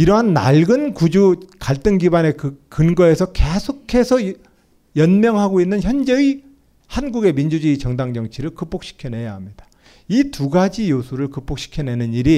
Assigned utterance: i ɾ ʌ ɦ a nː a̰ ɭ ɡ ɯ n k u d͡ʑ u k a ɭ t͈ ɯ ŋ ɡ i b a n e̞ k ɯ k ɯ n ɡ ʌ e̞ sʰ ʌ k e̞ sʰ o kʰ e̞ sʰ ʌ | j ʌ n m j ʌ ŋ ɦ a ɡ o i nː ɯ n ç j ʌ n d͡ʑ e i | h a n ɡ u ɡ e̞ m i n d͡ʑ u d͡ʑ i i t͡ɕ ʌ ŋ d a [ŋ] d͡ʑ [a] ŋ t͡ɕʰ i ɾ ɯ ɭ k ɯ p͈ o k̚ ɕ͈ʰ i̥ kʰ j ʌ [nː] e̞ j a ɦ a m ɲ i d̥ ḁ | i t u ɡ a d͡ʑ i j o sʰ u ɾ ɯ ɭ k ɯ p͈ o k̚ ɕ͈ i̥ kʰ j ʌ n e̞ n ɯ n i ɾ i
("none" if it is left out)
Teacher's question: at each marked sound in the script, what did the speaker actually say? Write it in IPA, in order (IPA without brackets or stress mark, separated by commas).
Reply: ŋ, ʌ, n